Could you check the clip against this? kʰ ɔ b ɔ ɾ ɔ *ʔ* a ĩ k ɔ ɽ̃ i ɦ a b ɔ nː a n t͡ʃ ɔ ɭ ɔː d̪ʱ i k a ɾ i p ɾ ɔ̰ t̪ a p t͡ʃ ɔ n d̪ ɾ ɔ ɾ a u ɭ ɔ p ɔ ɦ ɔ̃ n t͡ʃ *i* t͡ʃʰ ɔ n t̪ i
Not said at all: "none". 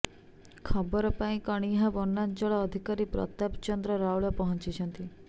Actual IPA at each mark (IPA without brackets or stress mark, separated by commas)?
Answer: p, i